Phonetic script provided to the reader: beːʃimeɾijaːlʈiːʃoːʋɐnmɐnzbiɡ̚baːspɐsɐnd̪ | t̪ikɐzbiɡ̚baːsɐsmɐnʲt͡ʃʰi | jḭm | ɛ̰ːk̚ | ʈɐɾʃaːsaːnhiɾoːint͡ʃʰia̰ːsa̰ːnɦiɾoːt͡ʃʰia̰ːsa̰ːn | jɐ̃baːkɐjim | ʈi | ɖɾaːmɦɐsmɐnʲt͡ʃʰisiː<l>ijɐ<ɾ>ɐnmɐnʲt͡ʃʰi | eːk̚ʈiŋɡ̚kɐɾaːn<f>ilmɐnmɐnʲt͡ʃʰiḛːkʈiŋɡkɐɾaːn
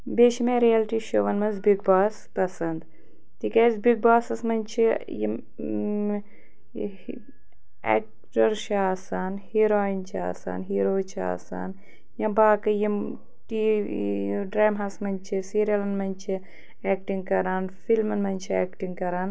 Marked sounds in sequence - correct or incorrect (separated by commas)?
incorrect, incorrect, correct